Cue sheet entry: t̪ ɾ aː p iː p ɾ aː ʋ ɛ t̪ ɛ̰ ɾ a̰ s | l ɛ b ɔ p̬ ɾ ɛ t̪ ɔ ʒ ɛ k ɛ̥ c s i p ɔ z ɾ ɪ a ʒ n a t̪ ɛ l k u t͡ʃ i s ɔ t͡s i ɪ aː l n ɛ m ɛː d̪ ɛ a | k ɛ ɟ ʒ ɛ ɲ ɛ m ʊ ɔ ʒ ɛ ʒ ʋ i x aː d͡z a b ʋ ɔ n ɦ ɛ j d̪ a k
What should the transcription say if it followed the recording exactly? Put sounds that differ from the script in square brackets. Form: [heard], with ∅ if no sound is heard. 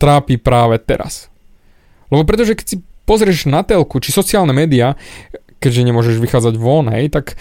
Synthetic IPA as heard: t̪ ɾ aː p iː p ɾ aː ʋ ɛ t̪ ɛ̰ ɾ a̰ s | l ɛ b ɔ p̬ ɾ ɛ t̪ ɔ ʒ ɛ k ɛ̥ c s i p ɔ z ɾ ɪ [ɛ] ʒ n a t̪ ɛ l k u t͡ʃ i s ɔ t͡s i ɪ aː l n ɛ m ɛː d̪ [i] a | k ɛ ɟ ʒ ɛ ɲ ɛ m ʊ ɔ ʒ ɛ ʒ ʋ i x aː d͡z a [ɟ] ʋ ɔ n ɦ ɛ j [t̪] a k